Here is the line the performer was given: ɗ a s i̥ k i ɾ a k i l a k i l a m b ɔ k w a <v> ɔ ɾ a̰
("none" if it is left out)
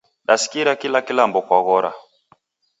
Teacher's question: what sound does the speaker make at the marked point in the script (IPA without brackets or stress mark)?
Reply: ɣ